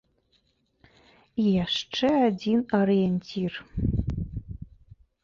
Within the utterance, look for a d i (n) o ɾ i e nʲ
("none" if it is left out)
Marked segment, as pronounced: n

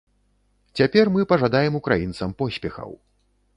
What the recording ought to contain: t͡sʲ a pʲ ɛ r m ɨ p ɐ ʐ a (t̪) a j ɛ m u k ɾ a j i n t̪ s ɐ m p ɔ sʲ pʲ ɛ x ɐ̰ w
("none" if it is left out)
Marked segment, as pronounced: d̪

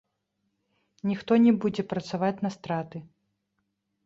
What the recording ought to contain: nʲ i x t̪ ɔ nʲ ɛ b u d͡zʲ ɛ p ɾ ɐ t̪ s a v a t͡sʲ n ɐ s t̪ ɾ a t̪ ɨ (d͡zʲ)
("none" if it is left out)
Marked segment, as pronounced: none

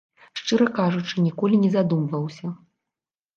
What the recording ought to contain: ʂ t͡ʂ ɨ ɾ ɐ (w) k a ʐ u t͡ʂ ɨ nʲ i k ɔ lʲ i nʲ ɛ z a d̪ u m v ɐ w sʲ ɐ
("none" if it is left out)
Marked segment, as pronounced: none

